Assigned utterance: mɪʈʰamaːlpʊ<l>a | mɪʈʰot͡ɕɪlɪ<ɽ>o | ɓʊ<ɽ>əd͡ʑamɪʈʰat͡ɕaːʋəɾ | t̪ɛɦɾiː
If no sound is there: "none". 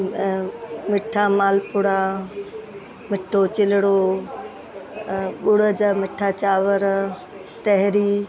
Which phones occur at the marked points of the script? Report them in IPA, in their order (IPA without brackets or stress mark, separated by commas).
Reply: ɽ, ɽ, ɽ